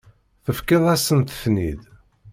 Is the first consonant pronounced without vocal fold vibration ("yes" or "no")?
yes